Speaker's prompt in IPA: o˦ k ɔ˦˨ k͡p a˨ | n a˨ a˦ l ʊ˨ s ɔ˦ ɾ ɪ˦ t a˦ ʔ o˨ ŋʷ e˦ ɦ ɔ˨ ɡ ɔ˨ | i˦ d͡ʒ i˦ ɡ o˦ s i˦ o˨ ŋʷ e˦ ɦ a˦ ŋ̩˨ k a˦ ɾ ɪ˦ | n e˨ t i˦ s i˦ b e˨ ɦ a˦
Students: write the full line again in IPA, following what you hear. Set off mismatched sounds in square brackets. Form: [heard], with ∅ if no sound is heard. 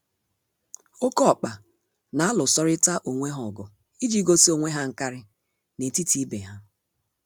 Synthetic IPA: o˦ k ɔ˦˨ k͡p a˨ | n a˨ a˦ l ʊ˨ s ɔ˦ ɾ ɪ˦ t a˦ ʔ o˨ ŋʷ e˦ ɦ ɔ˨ ɡ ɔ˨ | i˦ d͡ʒ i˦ ɡ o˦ s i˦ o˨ ŋʷ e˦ ɦ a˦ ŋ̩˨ k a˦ ɾ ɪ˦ | n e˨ t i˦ [t] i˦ b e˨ ɦ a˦